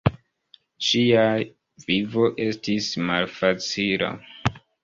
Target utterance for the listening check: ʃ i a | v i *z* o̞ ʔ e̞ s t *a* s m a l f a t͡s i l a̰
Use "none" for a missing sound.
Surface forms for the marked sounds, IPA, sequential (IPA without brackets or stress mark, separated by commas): v, i